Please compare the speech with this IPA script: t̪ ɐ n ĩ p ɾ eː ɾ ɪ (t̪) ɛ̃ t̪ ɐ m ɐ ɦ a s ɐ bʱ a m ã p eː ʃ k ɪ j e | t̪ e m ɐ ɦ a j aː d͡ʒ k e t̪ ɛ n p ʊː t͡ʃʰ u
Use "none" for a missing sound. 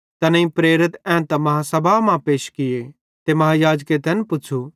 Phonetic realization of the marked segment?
t̪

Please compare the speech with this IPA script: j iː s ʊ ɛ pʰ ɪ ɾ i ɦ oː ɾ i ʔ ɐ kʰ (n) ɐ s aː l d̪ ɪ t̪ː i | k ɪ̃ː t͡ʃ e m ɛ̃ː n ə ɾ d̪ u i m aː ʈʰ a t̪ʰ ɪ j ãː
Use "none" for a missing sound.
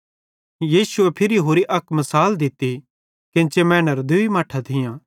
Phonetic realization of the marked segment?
m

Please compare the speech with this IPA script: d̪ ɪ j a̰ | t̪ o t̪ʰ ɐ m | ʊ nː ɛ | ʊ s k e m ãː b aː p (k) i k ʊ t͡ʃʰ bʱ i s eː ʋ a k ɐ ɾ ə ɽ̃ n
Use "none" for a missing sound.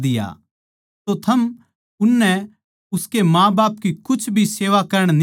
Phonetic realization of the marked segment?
k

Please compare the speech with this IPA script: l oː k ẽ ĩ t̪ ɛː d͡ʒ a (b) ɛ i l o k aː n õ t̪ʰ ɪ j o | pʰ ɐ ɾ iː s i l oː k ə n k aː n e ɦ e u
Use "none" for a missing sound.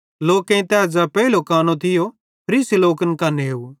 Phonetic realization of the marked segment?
p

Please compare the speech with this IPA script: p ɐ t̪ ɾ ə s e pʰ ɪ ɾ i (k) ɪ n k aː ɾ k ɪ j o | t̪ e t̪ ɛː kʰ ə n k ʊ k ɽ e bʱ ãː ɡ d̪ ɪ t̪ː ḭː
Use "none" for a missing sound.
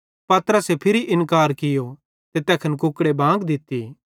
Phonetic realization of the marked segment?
ʔ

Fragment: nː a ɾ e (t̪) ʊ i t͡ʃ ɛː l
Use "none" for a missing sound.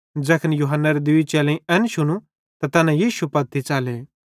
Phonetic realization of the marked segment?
d̪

